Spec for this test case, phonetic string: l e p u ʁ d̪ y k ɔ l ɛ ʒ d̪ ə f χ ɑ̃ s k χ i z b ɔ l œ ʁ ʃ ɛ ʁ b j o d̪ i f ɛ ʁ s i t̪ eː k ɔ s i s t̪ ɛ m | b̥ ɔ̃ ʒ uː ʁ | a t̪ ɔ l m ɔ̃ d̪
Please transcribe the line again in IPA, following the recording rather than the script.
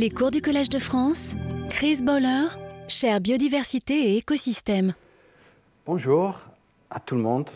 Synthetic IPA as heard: l e k u ʁ d̪ y k ɔ l ɛ ʒ d̪ ə f χ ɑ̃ s k χ i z b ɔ l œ ʁ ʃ ɛ ʁ b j o d̪ i v ɛ ʁ s i t̪ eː k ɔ s i s t̪ ɛ m | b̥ ɔ̃ ʒ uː ʁ | a t̪ u l m ɔ̃ d̪